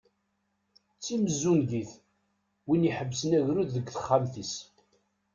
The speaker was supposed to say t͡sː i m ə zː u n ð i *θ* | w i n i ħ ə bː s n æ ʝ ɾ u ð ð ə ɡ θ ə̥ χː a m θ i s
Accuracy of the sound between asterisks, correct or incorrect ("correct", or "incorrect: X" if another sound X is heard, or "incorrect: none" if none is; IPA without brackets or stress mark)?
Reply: correct